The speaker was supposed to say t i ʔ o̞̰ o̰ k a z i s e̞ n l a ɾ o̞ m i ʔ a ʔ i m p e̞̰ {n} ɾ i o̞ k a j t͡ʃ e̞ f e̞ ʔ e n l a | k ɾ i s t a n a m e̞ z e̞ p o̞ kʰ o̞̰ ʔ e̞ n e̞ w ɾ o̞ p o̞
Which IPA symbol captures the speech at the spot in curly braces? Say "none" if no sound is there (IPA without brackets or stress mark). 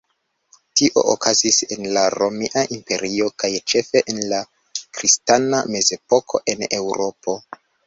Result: none